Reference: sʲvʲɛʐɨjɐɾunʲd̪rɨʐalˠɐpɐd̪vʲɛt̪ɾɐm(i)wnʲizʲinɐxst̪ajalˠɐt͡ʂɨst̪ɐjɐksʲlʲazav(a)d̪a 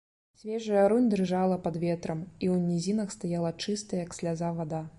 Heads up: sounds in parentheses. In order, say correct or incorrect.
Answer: correct, correct

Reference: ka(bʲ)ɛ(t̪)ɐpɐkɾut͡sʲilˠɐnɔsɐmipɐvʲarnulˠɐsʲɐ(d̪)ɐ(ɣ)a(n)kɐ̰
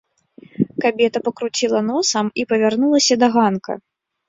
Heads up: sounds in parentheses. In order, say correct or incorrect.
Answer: correct, correct, correct, correct, correct

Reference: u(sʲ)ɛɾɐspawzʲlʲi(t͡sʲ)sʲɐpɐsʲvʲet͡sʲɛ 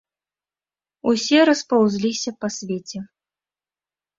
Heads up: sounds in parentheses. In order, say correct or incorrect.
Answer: correct, incorrect: none

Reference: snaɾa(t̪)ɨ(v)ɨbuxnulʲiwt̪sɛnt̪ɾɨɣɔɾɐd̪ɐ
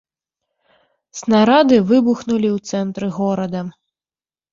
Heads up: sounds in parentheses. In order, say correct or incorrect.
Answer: incorrect: d̪, correct

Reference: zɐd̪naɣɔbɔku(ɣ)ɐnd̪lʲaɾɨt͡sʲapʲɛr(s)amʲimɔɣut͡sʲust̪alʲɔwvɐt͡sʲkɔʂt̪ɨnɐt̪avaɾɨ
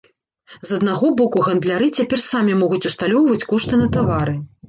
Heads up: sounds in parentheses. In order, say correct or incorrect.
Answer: correct, correct

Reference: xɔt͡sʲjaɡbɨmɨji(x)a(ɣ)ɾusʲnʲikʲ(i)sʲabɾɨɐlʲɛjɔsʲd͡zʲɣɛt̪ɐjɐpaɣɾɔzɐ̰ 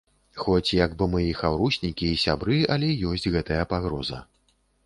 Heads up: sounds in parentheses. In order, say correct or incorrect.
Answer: correct, incorrect: w, incorrect: iː

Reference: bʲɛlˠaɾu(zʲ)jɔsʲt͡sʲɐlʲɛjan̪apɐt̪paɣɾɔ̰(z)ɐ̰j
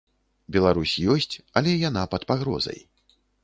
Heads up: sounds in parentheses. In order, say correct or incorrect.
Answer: incorrect: sʲ, correct

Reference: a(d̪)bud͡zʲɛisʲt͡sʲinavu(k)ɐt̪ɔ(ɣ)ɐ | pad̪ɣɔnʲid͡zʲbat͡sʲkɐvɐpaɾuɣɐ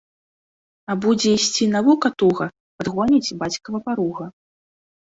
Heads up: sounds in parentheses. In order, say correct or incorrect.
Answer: incorrect: none, correct, correct

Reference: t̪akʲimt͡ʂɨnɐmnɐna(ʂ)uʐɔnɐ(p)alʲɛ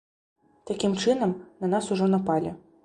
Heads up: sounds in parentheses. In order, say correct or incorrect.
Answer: incorrect: s, correct

